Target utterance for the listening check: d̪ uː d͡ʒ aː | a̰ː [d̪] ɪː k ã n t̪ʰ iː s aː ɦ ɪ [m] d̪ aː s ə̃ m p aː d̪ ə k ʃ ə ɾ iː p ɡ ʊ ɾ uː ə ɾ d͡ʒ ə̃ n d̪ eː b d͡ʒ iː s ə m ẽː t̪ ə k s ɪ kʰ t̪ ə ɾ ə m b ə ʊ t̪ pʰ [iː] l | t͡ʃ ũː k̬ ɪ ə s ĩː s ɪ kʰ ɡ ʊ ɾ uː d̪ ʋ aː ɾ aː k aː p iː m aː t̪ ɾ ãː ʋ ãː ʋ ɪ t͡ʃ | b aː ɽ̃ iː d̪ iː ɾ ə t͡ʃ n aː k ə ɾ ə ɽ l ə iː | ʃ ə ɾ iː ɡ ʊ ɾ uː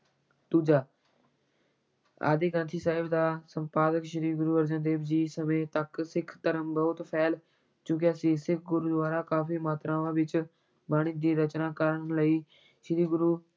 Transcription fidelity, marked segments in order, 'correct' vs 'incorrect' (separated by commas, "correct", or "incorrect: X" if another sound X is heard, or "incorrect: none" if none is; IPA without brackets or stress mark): correct, incorrect: b, incorrect: ɛː